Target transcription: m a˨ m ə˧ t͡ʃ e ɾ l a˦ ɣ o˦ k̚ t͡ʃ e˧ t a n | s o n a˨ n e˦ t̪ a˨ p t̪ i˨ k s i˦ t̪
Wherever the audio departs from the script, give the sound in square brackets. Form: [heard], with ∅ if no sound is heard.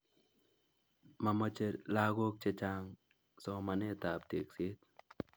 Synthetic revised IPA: m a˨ m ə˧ t͡ʃ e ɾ l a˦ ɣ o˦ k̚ t͡ʃ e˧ [t͡ʃ] a [ŋ] | s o [m] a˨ n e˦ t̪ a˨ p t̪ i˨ k s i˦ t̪